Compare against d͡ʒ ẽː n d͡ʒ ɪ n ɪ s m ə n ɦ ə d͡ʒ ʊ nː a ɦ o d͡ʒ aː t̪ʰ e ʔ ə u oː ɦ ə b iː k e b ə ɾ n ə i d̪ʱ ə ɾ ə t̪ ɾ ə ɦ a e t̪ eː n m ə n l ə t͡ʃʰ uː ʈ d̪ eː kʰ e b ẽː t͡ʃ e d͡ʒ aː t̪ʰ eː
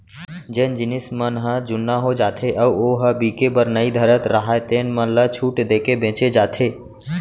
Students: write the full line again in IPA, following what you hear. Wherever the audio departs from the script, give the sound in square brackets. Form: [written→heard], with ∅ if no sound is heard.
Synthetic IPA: d͡ʒ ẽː n d͡ʒ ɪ n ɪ s m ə n ɦ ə d͡ʒ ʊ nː a ɦ o d͡ʒ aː t̪ʰ e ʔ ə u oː ɦ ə b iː k e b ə ɾ n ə i d̪ʱ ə ɾ ə t̪ ɾ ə ɦ a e t̪ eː n m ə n l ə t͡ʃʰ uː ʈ d̪ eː [kʰ→k] e b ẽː t͡ʃ e d͡ʒ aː t̪ʰ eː